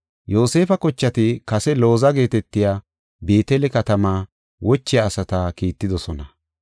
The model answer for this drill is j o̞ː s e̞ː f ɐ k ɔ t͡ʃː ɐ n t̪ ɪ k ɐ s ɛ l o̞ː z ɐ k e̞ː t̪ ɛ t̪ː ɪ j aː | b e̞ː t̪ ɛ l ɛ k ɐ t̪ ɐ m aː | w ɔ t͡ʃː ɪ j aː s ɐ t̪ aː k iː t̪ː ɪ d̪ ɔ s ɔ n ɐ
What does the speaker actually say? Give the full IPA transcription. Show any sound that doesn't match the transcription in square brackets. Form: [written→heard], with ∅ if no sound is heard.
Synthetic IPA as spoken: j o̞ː s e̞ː f ɐ k ɔ t͡ʃː ɐ [n→∅] t̪ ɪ k ɐ s ɛ l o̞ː z ɐ [k→ɡ] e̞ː t̪ ɛ t̪ː ɪ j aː | b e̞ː t̪ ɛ l ɛ k ɐ t̪ ɐ m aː | w ɔ t͡ʃː ɪ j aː s ɐ t̪ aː k iː t̪ː ɪ d̪ ɔ s ɔ n ɐ